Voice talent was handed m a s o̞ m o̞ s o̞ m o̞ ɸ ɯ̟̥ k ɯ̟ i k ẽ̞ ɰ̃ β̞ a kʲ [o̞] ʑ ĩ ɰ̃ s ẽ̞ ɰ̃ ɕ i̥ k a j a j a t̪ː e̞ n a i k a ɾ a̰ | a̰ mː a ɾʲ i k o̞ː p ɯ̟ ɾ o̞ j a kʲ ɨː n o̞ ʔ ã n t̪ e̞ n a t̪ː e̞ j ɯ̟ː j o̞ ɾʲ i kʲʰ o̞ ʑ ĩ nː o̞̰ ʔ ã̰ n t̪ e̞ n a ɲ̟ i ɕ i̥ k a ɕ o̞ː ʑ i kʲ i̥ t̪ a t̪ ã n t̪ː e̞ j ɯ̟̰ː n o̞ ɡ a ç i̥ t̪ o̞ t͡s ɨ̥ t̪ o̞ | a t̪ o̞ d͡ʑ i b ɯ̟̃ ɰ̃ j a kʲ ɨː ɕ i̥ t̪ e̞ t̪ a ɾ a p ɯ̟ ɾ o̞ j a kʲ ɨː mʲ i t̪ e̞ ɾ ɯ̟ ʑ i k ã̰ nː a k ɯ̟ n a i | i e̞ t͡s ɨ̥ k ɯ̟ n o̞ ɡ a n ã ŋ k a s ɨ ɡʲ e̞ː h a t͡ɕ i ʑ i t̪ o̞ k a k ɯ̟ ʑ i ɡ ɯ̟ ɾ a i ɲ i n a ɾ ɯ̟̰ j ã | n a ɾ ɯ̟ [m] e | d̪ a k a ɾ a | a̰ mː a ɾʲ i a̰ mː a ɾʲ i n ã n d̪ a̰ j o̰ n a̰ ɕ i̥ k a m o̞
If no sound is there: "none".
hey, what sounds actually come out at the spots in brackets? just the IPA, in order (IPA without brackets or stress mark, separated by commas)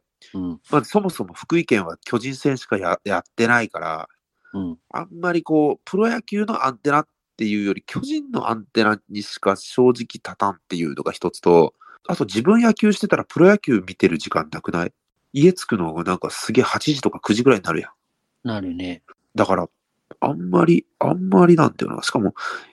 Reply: o̞, n